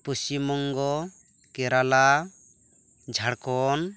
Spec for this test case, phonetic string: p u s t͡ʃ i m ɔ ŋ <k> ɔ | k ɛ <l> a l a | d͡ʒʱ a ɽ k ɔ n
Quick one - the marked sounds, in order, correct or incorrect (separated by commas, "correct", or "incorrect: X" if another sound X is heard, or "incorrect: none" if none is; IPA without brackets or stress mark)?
incorrect: ɡ, incorrect: ɾ